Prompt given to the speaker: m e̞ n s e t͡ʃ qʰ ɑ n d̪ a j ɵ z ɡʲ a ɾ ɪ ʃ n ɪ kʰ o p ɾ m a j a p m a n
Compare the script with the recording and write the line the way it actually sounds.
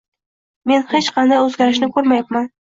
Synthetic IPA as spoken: m e̞ n h e t͡ʃ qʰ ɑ n d̪ a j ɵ z ɡʲ a ɾ ɪ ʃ n ɪ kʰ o ɾ m a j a p m a n